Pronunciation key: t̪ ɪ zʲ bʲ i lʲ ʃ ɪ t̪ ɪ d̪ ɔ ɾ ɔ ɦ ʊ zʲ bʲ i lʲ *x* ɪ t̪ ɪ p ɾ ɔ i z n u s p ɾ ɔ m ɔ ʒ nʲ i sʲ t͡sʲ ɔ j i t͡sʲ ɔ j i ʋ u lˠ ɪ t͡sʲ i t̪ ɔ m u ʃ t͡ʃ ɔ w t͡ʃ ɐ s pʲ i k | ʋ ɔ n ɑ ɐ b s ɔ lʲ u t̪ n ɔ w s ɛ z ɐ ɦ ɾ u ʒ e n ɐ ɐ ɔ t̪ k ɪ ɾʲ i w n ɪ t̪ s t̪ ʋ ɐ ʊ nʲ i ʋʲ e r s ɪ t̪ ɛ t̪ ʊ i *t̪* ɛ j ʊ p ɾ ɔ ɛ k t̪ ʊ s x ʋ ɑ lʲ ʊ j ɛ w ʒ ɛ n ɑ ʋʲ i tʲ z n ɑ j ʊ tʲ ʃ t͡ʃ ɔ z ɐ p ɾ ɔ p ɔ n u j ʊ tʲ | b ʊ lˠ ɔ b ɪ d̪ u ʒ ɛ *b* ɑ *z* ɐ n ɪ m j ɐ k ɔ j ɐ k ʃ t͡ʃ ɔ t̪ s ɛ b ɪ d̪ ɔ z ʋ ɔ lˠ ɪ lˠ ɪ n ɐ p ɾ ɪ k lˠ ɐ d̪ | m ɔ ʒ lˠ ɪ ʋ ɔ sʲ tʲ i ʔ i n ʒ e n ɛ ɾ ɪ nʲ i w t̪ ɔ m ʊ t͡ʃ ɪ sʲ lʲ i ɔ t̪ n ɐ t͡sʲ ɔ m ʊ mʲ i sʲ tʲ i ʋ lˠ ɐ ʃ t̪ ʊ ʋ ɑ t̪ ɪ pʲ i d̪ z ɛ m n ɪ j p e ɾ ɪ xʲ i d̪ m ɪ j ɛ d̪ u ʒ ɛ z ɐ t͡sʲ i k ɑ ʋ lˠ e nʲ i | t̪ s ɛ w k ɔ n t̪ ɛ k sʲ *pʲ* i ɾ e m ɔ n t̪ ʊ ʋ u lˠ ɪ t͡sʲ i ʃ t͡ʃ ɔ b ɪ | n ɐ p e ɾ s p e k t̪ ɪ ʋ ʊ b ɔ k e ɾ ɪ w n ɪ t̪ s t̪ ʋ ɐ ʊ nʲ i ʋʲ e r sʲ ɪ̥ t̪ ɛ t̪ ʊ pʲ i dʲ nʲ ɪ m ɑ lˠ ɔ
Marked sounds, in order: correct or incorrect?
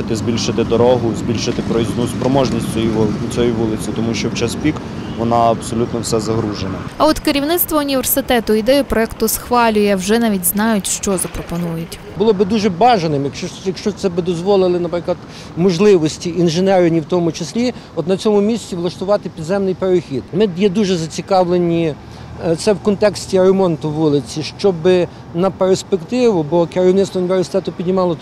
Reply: incorrect: ʃ, incorrect: d̪, correct, incorrect: ʒ, incorrect: tʲ

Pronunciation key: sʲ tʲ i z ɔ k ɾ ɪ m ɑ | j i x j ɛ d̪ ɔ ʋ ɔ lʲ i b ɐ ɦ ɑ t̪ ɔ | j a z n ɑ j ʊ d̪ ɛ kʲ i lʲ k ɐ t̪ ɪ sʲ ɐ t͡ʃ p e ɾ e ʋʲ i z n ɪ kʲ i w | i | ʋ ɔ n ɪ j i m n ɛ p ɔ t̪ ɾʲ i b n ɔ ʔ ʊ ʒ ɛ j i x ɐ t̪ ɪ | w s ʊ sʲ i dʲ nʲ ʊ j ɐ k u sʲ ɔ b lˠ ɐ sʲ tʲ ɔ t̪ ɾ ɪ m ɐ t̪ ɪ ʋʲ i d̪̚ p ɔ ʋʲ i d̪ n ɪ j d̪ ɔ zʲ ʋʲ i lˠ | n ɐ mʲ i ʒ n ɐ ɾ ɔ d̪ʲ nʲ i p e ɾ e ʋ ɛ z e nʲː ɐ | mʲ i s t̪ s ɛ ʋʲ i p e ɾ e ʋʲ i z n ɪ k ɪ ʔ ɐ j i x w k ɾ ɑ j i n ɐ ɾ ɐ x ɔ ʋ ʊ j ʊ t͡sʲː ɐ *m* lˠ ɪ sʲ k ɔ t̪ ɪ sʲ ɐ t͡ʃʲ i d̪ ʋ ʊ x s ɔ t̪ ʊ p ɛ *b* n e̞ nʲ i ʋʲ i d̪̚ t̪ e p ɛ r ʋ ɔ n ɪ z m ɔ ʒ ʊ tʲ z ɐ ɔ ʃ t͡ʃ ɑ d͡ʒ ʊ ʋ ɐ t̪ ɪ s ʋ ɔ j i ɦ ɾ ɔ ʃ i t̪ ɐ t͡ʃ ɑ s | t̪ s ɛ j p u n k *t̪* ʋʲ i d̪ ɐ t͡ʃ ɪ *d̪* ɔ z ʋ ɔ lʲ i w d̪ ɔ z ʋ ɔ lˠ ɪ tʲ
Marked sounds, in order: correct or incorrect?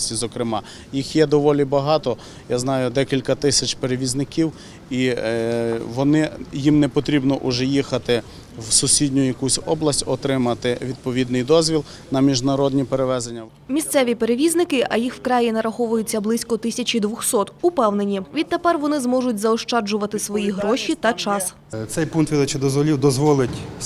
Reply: incorrect: b, incorrect: w, correct, correct

